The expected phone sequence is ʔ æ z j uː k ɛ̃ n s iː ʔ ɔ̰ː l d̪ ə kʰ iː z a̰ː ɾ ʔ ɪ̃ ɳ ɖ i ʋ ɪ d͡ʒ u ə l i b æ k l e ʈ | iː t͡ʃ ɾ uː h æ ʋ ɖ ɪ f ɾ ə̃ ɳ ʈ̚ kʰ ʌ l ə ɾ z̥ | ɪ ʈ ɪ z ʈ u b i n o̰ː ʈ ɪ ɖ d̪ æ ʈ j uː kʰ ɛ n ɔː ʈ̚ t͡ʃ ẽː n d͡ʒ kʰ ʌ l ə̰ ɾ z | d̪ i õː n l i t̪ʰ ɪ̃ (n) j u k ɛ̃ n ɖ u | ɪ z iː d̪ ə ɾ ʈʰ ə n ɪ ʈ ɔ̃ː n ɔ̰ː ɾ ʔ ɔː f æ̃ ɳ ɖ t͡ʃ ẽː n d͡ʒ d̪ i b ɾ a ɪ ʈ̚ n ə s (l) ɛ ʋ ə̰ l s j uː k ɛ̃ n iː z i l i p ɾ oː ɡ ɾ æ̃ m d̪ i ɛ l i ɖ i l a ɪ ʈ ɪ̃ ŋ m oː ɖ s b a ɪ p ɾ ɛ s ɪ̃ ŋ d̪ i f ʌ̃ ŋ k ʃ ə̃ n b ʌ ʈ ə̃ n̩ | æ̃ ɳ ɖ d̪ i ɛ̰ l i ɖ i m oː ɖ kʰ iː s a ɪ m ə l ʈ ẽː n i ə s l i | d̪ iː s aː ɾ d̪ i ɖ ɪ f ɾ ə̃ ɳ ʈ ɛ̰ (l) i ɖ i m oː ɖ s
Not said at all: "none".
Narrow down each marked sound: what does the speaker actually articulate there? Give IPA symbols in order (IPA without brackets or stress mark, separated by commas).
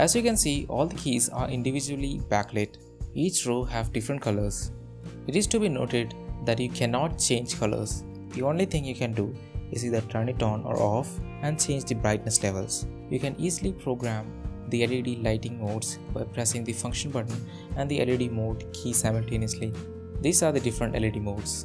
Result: ŋ, l, l